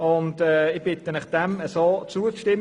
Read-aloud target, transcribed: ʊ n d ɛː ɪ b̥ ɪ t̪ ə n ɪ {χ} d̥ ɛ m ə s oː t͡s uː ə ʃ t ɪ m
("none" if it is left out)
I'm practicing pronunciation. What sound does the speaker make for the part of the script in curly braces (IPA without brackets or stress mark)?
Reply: χ